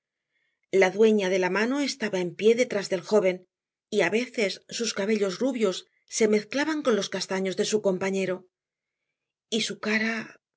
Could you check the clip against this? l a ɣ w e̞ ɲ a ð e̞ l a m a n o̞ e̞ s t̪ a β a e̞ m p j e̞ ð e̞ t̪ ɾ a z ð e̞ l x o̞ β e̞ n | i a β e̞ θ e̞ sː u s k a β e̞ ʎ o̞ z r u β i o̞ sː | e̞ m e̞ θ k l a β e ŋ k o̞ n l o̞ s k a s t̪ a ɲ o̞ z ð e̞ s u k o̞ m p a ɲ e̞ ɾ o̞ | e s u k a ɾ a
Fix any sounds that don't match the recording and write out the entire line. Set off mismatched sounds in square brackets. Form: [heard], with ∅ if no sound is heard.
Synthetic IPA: l a [ð] w e̞ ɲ a ð e̞ l a m a n o̞ e̞ s t̪ a β a e̞ m p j e̞ ð e̞ t̪ ɾ a z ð e̞ l x o̞ β e̞ n | i a β e̞ θ e̞ sː u s k a β e̞ ʎ o̞ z r u β [j] o̞ sː | e̞ m e̞ θ k l a β [a] ŋ k o̞ n l o̞ s k a s t̪ a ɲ o̞ z ð e̞ s u k o̞ m p a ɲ e̞ ɾ o̞ | [i] s u k a ɾ a